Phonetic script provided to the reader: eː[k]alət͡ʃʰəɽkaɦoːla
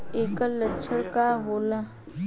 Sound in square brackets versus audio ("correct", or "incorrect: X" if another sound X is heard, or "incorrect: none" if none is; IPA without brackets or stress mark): correct